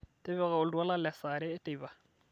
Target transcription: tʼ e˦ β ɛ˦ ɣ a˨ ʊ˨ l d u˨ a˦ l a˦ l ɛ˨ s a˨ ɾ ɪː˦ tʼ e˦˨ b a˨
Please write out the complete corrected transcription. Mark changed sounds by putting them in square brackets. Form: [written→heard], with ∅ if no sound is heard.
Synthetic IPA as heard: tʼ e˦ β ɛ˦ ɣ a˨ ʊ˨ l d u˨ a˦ l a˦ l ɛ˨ s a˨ ɾ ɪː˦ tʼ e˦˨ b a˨